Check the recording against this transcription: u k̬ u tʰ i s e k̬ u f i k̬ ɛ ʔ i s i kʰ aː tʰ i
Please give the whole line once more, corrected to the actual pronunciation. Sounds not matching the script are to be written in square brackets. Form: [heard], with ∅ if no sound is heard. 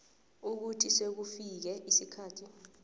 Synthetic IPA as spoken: u k̬ u tʰ i s e k̬ u f i k̬ ɛ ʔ i s i kʰ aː tʰ i